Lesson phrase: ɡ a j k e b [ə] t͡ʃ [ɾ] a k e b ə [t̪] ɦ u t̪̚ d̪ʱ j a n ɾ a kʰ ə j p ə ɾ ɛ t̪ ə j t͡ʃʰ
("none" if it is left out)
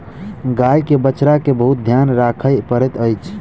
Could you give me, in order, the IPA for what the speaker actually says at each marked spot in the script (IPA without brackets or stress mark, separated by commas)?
ə, ɾ, none